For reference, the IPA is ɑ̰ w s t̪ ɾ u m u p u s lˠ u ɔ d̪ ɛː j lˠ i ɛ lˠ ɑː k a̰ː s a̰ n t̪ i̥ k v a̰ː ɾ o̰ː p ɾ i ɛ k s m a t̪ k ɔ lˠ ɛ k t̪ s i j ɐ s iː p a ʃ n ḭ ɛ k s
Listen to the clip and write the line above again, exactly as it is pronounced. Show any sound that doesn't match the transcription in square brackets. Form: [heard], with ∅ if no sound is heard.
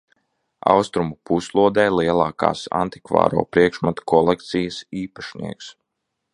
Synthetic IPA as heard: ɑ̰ w s t̪ ɾ u m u p u s lˠ u ɔ d̪ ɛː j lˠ i ɛ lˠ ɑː k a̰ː s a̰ n t̪ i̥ k v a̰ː ɾ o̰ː p ɾ i ɛ k [ʃ] m a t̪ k ɔ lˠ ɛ k t̪ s i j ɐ s iː p a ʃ n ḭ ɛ k s